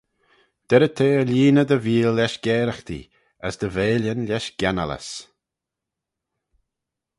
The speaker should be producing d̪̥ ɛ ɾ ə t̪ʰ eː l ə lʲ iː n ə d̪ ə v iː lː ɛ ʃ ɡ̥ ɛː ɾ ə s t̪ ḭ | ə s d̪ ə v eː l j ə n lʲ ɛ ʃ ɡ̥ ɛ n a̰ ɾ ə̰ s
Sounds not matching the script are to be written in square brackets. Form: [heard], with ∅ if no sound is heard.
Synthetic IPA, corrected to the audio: d̪̥ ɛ ɾ ə t̪ʰ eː [∅] ə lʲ iː n ə d̪ ə v iː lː ɛ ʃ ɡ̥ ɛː ɾ ə [x] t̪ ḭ | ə s d̪ ə v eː l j ə n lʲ ɛ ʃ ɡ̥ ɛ n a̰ [l] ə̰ s